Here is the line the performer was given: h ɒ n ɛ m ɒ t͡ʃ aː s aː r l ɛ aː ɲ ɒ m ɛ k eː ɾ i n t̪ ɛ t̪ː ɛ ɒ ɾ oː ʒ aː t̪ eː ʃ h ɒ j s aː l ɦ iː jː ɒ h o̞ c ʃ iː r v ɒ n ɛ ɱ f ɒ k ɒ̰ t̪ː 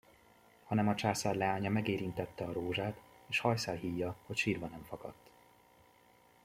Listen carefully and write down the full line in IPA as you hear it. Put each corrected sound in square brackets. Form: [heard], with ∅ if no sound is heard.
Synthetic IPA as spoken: h ɒ n ɛ m ɒ t͡ʃ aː s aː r l ɛ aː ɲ ɒ m ɛ [ɡ] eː ɾ i n t̪ ɛ t̪ː ɛ ɒ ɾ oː ʒ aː t̪ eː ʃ h ɒ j s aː l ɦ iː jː ɒ h o̞ c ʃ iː r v ɒ n ɛ ɱ f ɒ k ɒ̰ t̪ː